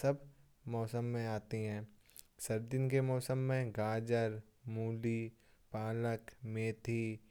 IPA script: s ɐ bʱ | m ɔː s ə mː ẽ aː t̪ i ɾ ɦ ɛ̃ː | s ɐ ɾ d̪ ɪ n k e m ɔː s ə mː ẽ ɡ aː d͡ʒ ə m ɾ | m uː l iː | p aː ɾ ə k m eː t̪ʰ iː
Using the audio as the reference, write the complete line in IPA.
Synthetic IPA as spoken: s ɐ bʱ | m ɔː s ə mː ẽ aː t̪ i ɦ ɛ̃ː | s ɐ ɾ d̪ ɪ n k e m ɔː s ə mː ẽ ɡ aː d͡ʒ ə ɾ | m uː l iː | p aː l ə k m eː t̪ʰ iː